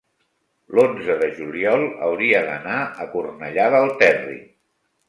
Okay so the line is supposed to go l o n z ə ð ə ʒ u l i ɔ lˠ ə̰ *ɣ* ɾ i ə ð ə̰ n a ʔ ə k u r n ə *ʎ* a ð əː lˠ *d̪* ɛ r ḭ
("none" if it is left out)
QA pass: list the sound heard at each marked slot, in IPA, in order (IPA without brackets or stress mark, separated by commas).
w, ʎ, t̪